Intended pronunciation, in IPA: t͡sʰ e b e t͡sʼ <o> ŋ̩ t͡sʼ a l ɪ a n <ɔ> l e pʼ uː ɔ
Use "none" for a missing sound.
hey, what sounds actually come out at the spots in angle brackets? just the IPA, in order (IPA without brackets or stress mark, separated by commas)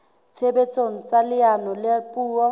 o, ɔ